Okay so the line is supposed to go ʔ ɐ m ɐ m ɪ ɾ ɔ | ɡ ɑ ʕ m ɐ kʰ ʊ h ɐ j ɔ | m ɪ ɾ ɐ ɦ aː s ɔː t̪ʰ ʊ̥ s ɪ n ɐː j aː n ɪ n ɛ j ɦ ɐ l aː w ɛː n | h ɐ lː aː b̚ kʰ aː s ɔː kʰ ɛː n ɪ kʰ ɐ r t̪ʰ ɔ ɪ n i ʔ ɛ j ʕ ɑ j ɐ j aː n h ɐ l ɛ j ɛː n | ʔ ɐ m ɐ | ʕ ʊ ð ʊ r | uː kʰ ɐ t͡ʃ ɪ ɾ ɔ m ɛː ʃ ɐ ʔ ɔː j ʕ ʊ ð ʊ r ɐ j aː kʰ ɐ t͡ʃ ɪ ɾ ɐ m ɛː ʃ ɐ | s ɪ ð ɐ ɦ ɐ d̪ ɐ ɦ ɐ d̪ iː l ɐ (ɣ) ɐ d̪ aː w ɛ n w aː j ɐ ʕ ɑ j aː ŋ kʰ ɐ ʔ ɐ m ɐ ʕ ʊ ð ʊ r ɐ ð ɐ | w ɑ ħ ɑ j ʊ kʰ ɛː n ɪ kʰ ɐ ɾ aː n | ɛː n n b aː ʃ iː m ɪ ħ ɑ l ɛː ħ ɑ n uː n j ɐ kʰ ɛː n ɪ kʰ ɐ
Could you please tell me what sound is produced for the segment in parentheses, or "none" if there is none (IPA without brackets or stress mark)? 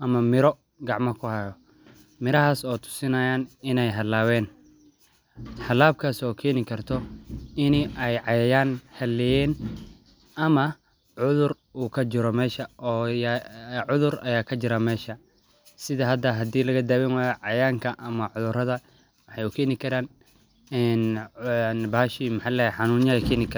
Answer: ɣ